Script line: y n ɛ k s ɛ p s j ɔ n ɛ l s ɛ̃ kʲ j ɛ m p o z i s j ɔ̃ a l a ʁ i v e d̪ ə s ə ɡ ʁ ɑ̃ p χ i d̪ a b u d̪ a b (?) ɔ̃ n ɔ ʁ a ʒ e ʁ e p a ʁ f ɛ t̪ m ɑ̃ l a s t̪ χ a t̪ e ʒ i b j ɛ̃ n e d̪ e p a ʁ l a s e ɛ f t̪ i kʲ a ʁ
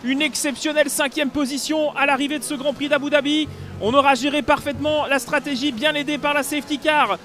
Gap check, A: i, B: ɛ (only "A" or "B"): A